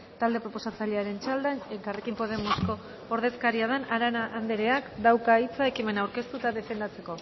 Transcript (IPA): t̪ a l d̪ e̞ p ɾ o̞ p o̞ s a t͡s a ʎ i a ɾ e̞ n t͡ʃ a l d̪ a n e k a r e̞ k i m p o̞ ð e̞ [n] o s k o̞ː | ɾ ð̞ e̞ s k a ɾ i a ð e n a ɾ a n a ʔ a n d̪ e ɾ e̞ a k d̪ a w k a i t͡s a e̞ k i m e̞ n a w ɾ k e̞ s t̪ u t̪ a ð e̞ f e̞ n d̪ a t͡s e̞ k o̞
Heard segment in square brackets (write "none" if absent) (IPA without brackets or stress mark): m